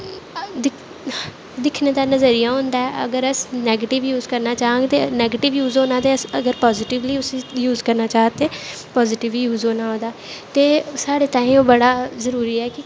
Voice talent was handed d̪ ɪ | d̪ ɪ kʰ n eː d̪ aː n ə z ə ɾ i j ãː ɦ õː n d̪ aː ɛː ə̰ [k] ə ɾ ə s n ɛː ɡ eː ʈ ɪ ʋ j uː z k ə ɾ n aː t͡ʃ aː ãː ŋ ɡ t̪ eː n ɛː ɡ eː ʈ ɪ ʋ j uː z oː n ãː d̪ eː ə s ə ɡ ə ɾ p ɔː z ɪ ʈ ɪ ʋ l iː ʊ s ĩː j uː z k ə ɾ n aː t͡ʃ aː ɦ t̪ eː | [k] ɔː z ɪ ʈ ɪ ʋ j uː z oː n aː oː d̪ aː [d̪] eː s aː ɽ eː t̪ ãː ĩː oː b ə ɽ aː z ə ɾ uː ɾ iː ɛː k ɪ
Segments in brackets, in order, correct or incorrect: incorrect: ɡ, incorrect: p, incorrect: t̪

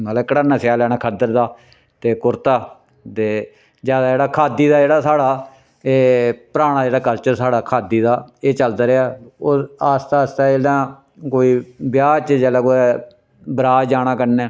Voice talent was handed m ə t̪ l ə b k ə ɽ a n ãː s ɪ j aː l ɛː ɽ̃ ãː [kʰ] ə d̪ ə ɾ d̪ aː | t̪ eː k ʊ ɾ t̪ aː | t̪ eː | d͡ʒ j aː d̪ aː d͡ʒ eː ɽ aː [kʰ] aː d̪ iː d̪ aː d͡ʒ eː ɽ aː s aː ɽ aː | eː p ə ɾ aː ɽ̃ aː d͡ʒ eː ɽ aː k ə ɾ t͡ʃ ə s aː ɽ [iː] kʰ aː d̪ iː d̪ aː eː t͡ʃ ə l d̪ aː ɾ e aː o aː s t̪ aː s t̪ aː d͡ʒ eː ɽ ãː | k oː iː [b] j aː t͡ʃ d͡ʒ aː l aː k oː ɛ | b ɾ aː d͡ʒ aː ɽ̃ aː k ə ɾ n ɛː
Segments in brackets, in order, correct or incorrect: correct, correct, incorrect: aː, correct

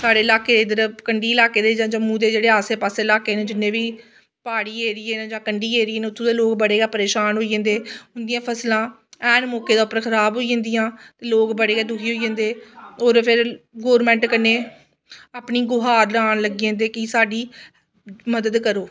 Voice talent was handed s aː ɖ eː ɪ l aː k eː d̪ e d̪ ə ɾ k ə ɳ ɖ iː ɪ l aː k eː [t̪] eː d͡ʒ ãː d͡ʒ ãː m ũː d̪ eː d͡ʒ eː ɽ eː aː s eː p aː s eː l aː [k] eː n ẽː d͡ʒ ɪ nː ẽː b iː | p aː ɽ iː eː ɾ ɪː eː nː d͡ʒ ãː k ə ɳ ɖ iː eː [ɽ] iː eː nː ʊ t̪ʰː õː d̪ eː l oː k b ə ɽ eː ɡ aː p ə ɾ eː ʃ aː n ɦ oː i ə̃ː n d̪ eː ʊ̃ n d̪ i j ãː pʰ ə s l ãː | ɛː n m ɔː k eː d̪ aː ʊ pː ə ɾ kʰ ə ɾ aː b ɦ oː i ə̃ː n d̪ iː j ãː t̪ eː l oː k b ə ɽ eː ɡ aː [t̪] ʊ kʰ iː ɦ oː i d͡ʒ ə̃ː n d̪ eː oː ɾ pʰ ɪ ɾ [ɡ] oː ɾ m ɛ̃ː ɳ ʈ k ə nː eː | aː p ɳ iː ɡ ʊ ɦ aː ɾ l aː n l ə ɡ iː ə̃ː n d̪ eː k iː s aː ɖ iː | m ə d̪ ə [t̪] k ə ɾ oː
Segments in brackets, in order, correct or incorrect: incorrect: d̪, correct, incorrect: ɾ, incorrect: d̪, correct, incorrect: d̪

